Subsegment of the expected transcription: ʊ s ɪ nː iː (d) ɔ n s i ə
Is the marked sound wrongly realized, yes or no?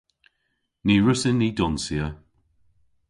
no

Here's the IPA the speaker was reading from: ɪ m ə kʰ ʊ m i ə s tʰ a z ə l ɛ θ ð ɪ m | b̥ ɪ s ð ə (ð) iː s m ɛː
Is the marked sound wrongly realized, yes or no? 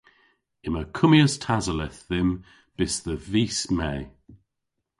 yes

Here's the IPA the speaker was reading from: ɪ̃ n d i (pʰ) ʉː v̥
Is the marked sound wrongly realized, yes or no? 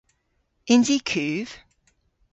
yes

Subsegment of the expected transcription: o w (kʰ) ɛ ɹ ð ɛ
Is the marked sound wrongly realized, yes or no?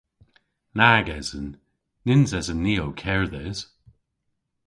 no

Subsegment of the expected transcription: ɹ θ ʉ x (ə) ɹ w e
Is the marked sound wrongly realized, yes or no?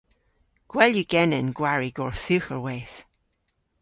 no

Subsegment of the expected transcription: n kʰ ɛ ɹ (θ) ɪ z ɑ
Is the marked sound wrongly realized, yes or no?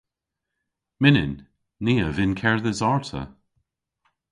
yes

